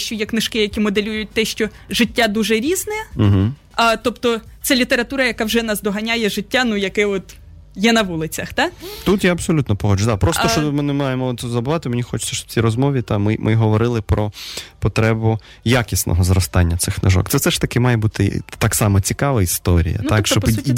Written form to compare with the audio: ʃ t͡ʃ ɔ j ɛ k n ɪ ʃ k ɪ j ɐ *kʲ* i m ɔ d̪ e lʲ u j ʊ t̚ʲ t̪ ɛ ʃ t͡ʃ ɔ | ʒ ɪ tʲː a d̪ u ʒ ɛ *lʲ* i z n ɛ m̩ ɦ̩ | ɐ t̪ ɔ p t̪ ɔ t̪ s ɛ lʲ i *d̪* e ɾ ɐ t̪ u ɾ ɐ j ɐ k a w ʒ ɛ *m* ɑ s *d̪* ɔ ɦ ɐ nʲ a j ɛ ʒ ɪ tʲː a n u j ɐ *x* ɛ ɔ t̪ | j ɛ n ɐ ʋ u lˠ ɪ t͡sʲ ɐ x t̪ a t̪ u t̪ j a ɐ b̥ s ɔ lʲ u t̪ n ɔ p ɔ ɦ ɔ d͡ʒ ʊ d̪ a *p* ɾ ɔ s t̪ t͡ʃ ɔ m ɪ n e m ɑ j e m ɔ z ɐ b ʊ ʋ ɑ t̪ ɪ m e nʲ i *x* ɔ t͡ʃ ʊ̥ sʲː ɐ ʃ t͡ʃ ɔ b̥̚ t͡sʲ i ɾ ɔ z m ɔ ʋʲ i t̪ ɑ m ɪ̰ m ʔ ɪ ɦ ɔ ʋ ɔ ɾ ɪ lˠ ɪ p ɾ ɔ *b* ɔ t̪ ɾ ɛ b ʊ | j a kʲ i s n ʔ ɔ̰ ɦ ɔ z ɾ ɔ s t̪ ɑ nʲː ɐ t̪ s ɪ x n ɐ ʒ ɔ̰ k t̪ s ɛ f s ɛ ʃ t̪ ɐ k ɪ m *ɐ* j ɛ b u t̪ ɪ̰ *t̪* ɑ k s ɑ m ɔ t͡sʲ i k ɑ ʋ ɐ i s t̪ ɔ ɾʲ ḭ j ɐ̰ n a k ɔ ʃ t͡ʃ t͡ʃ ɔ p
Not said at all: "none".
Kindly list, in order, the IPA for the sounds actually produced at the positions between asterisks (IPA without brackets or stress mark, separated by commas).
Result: kʲ, ɾʲ, t̪, n, d̪, k, p, x, p, ɑ, t̪